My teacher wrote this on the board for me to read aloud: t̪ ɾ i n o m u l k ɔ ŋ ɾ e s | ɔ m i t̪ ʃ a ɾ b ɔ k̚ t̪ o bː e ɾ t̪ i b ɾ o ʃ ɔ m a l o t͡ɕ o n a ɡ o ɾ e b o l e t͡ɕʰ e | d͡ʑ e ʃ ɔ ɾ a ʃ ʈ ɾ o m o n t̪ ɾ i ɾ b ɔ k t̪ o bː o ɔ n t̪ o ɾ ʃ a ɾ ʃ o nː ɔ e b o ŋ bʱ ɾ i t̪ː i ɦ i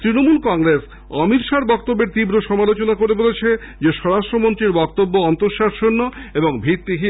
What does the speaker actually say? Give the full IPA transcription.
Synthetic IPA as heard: t̪ ɾ i n o m u l k ɔ ŋ ɾ e s | ɔ m i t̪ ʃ a ɾ b ɔ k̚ t̪ o bː e ɾ t̪ i b ɾ o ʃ ɔ m a l o t͡ɕ o n a k o ɾ e b o l e t͡ɕʰ e | d͡ʑ e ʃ ɔ ɾ a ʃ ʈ ɾ o m o n t̪ ɾ i ɾ b ɔ k t̪ o bː o ɔ n t̪ o ɾ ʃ a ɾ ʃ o nː o e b o ŋ bʱ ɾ i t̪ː i ɦ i